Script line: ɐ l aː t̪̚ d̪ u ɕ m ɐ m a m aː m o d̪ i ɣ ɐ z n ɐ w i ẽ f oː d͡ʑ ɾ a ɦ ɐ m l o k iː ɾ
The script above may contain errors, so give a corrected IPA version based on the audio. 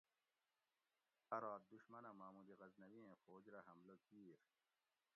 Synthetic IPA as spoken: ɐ ɾ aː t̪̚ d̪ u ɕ m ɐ n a m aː m u d̪ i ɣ ɐ z n ɐ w i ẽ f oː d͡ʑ ɾ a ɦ ɐ m l o k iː ɾ